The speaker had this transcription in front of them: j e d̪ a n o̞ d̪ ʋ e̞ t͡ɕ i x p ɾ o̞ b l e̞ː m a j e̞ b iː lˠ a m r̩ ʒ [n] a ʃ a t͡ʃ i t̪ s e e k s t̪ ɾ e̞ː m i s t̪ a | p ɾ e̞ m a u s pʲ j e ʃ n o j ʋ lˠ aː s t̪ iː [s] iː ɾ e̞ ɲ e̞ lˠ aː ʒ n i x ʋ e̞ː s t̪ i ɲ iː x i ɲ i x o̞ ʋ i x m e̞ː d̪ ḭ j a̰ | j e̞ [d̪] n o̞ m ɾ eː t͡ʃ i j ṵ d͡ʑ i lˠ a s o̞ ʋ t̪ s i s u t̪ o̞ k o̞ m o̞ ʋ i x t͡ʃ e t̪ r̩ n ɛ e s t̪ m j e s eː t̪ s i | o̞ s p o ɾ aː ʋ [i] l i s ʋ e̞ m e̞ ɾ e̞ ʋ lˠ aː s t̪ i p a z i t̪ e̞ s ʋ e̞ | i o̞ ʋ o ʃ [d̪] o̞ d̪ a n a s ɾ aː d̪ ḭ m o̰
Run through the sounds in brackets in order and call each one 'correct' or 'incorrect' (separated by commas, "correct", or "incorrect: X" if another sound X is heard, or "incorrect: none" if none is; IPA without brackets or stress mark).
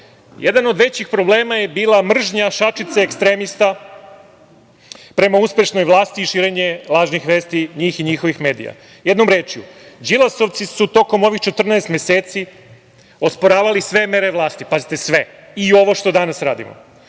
incorrect: ɲ, incorrect: ʃ, correct, incorrect: a, incorrect: t̪